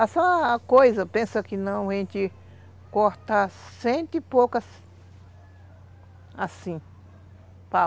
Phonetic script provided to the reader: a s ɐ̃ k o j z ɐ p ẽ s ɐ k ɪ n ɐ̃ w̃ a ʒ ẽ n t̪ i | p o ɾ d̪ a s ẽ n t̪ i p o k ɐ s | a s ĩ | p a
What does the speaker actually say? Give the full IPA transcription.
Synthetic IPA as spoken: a s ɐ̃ k o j z ɐ p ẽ s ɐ k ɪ n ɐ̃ w̃ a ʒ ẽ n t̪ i | k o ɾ t̪ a s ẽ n t̪ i p o k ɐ s | a s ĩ | p a